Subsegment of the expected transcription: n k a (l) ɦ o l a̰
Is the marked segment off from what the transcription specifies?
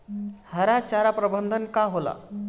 yes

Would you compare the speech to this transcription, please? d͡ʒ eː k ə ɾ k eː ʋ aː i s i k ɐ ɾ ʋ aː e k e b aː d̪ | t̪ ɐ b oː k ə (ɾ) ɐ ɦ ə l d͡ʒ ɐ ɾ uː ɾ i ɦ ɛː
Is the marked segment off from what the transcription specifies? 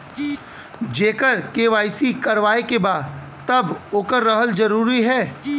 yes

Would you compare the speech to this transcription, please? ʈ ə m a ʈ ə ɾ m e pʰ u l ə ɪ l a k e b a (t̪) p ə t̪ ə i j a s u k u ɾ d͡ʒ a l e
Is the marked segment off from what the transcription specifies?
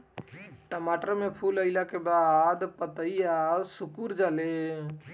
yes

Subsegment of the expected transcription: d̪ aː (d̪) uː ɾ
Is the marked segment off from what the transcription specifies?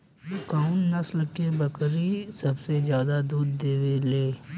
no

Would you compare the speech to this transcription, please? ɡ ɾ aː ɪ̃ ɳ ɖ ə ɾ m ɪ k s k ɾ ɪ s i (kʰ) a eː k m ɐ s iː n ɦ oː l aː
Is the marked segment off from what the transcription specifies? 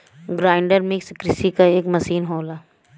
yes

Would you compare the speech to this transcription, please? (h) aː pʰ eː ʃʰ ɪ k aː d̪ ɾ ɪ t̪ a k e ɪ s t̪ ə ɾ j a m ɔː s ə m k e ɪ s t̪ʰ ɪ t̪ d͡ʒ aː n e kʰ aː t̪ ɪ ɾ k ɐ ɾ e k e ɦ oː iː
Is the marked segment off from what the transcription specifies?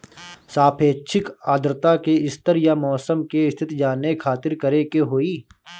yes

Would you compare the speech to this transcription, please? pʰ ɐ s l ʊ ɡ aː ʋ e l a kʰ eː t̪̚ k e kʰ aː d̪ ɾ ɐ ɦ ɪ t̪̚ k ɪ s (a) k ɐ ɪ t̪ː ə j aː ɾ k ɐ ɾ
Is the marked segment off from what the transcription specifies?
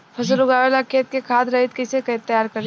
yes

